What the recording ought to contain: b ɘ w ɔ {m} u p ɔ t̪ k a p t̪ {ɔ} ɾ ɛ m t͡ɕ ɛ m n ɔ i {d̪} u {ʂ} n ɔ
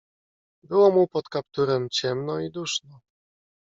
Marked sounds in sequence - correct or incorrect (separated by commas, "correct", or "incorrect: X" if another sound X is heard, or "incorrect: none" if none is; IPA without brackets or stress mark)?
correct, incorrect: u, correct, correct